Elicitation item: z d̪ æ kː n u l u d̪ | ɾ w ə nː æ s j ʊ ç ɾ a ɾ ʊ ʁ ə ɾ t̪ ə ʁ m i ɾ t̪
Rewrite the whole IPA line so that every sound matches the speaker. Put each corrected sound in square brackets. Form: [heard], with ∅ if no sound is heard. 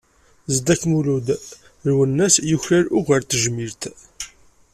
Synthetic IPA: z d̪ æ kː [m] u l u d̪ | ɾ w ə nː æ s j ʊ ç ɾ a ɾ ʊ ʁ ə ɾ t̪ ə [ʒ] m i ɾ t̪